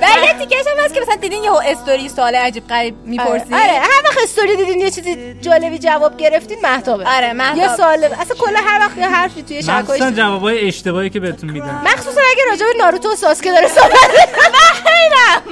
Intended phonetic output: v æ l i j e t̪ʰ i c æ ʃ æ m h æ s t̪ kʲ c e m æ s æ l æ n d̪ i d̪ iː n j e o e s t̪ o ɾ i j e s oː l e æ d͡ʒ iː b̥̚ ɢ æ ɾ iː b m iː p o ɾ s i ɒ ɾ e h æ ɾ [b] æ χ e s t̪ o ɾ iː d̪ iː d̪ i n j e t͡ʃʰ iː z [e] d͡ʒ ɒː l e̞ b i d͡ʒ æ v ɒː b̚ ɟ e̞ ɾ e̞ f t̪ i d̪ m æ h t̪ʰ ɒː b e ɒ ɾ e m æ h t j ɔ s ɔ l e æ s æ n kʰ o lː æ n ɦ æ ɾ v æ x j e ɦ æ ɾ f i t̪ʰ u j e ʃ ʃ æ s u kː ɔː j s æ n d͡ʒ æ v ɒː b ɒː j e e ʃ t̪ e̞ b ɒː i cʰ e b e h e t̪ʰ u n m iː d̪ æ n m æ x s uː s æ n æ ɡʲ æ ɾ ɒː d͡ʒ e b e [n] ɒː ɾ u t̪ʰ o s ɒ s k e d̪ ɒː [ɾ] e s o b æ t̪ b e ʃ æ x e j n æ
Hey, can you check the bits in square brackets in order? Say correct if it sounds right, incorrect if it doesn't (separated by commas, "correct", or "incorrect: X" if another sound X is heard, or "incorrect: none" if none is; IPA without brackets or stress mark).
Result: incorrect: v, incorrect: i, correct, correct